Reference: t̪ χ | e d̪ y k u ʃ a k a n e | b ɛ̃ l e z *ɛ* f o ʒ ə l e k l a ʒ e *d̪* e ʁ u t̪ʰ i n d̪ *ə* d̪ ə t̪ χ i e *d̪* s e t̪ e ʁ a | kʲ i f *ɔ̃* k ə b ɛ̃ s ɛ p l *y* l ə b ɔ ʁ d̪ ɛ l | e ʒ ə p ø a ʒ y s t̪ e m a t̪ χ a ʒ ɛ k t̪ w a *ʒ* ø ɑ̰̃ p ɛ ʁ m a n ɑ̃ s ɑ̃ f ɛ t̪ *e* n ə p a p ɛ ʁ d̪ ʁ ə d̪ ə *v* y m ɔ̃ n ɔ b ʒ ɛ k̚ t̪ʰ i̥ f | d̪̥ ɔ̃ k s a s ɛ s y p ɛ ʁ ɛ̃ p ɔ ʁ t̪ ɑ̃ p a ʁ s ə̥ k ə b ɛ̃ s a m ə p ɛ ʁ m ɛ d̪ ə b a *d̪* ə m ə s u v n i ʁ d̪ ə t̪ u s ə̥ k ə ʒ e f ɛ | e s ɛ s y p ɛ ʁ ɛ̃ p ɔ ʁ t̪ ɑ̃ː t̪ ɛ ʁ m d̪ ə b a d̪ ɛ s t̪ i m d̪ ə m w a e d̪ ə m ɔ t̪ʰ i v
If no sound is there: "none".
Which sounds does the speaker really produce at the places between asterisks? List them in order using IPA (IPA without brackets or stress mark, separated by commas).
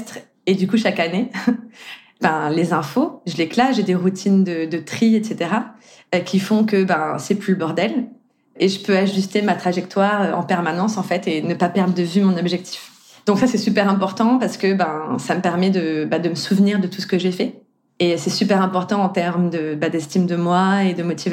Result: ɛ̃, d̪, ə, t̪, ɔ̃, y, ʁ, e, v, d̪